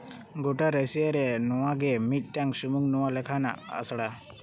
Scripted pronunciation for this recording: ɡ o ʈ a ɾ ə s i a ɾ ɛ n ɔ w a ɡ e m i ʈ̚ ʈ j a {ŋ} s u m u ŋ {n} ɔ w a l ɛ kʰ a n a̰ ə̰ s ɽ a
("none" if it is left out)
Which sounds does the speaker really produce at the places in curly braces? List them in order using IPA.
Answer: ŋ, n

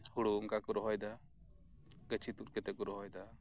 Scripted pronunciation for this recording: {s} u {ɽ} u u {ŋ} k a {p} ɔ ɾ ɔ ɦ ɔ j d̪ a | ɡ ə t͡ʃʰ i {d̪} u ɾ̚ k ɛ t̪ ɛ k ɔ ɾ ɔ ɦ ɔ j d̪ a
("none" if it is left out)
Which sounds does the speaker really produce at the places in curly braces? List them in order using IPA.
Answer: h, ɽ, ŋ, k, t̪

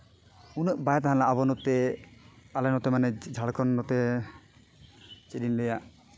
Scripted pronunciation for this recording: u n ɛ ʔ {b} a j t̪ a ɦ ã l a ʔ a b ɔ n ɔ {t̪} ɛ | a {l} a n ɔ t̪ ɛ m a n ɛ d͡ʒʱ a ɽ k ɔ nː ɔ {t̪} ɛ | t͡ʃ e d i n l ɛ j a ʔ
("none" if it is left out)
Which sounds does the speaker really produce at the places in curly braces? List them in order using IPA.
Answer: b, t̪, l, t̪

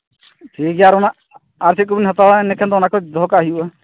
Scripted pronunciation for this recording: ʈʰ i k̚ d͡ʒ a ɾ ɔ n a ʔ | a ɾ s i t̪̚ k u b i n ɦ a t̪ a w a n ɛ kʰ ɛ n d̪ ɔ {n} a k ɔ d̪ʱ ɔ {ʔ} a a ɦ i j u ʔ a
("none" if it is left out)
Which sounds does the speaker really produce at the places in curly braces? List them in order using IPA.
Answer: n, k

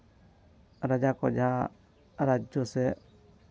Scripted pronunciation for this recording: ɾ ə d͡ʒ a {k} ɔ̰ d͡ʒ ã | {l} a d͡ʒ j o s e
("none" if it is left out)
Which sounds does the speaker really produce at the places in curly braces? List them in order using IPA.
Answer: k, ɾ

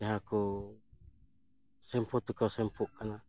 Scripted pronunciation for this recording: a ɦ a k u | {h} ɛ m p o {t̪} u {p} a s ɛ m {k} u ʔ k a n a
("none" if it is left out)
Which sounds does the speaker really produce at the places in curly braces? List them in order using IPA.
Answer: s, t̪, k, p

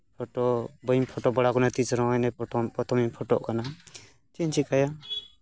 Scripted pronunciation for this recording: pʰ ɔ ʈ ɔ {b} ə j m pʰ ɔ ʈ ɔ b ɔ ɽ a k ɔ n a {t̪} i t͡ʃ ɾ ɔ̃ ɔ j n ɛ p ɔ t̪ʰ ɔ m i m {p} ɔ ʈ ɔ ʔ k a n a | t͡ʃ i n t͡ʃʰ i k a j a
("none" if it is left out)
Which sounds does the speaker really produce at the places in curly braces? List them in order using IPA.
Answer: b, t̪, pʰ

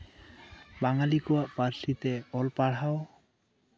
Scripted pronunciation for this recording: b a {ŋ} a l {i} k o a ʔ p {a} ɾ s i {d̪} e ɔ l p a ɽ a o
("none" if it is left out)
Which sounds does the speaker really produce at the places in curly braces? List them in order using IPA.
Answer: ŋ, i, a, t̪

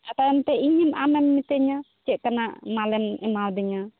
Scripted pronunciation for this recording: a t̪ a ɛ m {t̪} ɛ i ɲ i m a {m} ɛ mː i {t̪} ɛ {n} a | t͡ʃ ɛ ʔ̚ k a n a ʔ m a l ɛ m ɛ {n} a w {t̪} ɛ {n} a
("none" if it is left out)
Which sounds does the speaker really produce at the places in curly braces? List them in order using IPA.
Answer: t̪, m, t̪, ɲ, m, d̪, ɲ

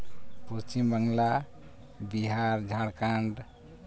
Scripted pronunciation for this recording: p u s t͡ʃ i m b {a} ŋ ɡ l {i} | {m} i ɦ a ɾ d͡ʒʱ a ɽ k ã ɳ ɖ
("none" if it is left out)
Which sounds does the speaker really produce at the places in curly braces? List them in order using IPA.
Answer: ə, a, b

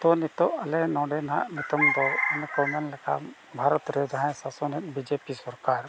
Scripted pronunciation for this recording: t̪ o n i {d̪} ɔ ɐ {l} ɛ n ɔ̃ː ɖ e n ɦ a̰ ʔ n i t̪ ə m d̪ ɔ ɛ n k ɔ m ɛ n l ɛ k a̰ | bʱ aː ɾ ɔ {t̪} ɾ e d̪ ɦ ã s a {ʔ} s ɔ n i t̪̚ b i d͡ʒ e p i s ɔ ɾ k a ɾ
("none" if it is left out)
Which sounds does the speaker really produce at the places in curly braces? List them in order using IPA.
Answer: t̪, l, t̪, none

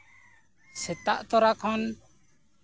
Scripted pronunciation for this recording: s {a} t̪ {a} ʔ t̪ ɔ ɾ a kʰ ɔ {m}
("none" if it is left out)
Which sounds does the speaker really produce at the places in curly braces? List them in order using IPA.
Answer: ɛ, a, n

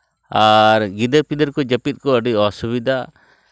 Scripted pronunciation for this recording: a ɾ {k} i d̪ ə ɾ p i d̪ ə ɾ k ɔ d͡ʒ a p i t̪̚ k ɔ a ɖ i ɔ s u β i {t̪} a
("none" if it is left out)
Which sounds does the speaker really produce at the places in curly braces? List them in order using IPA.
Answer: ɡ, d̪

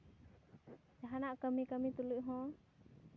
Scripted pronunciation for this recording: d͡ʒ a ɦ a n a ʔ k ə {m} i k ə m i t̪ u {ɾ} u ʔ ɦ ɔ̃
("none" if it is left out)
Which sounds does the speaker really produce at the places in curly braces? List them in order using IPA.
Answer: m, l

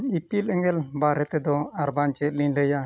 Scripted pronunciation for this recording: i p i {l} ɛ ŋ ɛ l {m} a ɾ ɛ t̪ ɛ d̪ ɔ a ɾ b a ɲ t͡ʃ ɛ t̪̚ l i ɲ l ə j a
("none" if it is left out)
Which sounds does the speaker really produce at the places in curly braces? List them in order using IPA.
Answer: l, b

